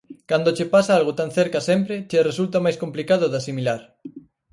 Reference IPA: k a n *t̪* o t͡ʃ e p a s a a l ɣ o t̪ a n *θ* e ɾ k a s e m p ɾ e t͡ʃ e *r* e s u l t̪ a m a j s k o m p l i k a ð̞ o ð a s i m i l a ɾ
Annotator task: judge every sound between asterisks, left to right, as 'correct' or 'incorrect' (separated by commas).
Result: incorrect, correct, correct